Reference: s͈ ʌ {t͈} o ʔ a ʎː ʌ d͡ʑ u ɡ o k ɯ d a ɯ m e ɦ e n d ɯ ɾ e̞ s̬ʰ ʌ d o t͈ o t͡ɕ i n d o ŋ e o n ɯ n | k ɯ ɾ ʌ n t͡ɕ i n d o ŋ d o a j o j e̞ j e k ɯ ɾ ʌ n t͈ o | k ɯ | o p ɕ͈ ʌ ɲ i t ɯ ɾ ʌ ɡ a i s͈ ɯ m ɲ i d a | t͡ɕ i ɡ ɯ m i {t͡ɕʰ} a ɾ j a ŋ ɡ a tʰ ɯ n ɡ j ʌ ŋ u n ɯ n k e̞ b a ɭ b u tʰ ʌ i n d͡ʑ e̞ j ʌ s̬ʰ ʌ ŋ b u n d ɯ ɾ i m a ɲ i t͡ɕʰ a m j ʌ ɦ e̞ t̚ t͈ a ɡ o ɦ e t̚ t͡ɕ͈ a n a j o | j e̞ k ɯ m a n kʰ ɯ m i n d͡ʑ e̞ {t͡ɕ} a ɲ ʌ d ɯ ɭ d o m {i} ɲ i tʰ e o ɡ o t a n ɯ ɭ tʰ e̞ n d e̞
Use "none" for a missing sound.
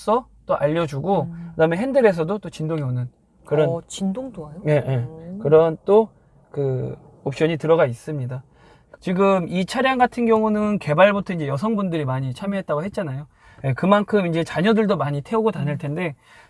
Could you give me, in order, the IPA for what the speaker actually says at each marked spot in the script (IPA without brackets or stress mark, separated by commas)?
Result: t͈, t͡ɕʰ, t͡ɕ, a